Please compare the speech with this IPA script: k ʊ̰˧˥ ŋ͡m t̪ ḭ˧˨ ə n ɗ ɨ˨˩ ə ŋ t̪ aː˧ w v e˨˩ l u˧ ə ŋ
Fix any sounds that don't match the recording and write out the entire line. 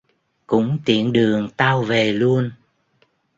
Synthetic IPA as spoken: k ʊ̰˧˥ ŋ͡m t̪ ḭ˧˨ ə n ɗ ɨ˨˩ ə ŋ t̪ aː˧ w v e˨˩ l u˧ ə n